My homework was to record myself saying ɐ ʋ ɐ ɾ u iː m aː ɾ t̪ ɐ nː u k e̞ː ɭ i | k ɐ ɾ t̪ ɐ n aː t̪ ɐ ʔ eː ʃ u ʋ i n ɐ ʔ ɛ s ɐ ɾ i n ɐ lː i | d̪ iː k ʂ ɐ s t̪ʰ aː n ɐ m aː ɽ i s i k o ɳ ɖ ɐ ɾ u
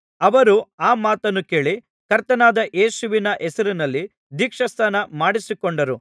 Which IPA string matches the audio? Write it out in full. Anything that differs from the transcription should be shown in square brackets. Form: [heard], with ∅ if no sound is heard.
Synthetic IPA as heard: ɐ ʋ ɐ ɾ u [aː] m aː [∅] t̪ ɐ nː u k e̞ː ɭ i | k ɐ ɾ t̪ ɐ n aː [d̪] ɐ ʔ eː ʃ u ʋ i n ɐ ʔ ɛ s ɐ ɾ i n ɐ lː i | d̪ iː k ʂ ɐ s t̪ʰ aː n ɐ m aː ɽ i s i k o ɳ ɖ ɐ ɾ u